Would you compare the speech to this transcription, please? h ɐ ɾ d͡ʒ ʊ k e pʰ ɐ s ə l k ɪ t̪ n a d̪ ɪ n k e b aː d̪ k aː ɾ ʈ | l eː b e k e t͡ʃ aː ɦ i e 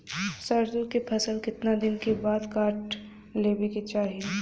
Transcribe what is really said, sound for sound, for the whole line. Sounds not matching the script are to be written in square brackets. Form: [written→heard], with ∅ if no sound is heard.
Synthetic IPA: [h→s] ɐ ɾ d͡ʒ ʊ k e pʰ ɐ s ə l k ɪ t̪ n a d̪ ɪ n k e b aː d̪ k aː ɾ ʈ | l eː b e k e t͡ʃ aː ɦ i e